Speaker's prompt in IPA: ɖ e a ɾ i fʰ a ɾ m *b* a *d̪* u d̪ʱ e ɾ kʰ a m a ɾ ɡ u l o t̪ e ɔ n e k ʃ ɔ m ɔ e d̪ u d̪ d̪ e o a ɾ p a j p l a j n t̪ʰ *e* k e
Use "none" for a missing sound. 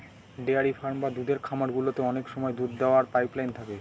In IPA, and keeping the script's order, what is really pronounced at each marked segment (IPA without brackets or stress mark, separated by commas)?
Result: b, d̪, a